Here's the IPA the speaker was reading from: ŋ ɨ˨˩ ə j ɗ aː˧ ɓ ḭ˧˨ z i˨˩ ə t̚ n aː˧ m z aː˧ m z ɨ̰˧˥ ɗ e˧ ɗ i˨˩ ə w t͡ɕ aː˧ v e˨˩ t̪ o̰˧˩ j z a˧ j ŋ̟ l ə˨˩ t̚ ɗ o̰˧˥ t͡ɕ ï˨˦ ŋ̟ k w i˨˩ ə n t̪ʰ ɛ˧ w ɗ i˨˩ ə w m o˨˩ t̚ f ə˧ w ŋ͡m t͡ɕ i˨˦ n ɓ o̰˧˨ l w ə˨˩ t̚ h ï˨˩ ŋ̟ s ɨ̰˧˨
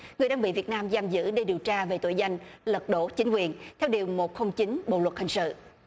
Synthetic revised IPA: ŋ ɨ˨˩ ə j ɗ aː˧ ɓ ḭ˧˨ v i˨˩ ə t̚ n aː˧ m z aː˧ m z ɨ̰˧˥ ɗ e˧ ɗ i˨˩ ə w t͡ɕ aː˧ v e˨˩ t̪ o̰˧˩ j z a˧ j ŋ̟ l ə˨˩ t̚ ɗ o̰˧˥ t͡ɕ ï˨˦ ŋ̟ k w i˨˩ ə n t̪ʰ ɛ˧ w ɗ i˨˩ ə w m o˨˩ t̚ x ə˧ w ŋ͡m t͡ɕ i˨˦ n ɓ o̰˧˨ l w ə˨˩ t̚ h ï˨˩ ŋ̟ s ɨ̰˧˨